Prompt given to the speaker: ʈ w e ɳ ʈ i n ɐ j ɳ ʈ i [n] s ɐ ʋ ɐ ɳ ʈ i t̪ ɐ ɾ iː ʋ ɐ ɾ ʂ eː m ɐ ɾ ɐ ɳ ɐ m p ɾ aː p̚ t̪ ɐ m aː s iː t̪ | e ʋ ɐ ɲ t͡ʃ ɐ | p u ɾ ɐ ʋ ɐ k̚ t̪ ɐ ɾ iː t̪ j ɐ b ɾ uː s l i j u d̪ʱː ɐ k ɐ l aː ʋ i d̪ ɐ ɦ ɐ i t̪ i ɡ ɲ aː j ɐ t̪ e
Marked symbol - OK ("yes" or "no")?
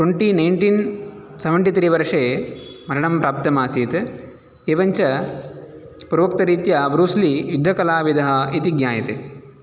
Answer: yes